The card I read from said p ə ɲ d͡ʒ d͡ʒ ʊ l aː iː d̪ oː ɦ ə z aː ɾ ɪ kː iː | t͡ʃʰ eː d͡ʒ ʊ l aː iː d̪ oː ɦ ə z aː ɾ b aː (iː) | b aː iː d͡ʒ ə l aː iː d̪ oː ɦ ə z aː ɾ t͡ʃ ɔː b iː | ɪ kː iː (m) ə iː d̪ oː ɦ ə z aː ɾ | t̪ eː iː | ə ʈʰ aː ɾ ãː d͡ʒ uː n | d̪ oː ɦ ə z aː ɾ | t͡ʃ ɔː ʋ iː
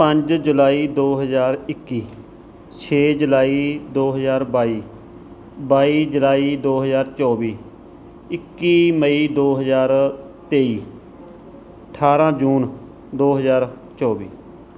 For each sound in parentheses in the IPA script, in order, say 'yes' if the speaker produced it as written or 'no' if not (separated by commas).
yes, yes